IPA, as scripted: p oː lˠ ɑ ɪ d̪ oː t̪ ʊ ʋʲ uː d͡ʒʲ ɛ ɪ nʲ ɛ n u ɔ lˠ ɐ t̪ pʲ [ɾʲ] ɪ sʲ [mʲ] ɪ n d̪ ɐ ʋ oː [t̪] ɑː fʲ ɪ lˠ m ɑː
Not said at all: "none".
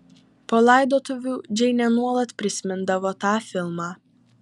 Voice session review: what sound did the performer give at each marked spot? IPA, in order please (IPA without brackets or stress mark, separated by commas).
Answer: ɾʲ, mʲ, t̪